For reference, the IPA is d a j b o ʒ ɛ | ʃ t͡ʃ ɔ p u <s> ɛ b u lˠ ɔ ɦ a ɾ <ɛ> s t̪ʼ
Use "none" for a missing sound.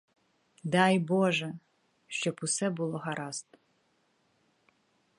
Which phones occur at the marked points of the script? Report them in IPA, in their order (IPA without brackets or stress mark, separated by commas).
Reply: s, a